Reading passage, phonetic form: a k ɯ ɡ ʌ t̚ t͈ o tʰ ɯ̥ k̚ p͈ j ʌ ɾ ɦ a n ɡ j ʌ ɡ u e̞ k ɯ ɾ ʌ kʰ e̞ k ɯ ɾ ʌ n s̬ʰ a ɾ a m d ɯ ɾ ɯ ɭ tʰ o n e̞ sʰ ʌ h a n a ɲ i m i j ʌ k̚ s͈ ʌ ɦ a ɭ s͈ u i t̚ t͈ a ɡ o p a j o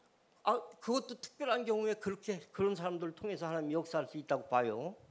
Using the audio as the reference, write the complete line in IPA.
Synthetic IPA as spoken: a k ɯ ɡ ʌ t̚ t͈ o tʰ ɯ̥ k̚ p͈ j ʌ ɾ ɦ a n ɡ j ʌ ŋ u e̞ k ɯ ɾ ʌ kʰ e̞ k ɯ ɾ ʌ n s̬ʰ a ɾ a m d ɯ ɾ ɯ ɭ tʰ o ŋ e̞ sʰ ʌ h a n a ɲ i m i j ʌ k̚ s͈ a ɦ a ɭ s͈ u i t̚ t͈ a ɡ o p a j o